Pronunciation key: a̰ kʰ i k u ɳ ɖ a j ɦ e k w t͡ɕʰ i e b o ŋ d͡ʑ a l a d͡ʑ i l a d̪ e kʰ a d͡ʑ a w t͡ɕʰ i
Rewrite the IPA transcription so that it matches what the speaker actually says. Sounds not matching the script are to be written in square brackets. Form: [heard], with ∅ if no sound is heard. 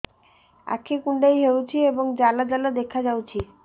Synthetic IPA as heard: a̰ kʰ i k u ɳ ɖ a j ɦ e [∅] w t͡ɕʰ i e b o ŋ d͡ʑ a l a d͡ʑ [a] l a d̪ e kʰ a d͡ʑ a w t͡ɕʰ i